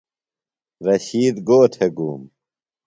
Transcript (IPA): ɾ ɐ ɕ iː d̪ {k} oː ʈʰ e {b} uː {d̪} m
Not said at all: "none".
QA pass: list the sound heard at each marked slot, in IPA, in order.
ɡ, ɡ, none

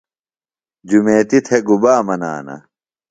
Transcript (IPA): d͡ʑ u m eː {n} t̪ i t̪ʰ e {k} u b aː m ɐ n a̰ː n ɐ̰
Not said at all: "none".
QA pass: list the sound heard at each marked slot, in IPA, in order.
none, ɡ

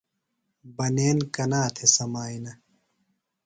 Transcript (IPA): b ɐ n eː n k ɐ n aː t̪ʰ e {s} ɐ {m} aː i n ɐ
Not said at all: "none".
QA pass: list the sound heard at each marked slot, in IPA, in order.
s, m

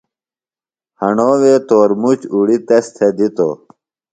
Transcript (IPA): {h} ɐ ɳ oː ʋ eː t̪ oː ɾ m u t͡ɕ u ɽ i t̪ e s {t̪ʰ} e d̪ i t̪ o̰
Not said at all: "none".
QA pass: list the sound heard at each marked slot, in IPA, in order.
h, t̪ʰ

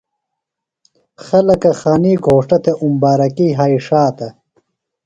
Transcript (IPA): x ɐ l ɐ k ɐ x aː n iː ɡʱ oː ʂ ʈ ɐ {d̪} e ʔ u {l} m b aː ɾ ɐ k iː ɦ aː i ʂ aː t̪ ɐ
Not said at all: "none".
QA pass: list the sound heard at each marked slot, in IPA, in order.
t̪, none

